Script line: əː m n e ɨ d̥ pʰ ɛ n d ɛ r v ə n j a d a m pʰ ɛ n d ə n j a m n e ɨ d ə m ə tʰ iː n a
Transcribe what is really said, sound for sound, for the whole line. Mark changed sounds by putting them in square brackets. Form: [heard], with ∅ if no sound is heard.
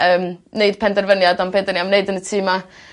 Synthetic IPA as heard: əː m n e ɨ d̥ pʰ ɛ n d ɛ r v ə n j a d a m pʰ ɛ n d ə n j a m n e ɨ d ə [n] ə tʰ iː [m] a